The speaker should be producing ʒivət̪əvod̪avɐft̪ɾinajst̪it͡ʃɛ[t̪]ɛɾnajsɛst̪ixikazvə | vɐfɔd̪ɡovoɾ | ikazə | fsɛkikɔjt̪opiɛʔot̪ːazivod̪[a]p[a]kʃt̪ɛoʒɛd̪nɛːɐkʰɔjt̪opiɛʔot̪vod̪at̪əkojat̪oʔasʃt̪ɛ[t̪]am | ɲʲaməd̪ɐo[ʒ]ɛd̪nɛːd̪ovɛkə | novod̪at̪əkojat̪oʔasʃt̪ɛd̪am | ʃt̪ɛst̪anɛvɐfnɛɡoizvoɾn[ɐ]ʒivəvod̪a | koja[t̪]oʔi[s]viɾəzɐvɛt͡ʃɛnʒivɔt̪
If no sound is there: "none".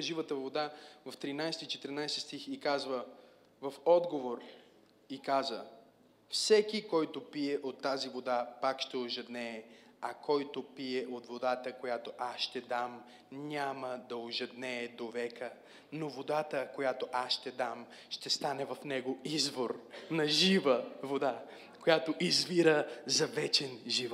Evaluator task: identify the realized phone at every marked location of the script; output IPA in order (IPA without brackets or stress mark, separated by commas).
t̪, a, a, d̪, ʒ, ɐ, t̪, z